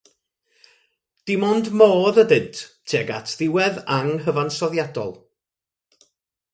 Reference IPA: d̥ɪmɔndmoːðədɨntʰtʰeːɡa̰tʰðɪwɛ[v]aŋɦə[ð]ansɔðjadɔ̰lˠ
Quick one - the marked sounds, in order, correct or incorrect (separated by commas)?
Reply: incorrect, incorrect